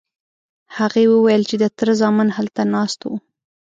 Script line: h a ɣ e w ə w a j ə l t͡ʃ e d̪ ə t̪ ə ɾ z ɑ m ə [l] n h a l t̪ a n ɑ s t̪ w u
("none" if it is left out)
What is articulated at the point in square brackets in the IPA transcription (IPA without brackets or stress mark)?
none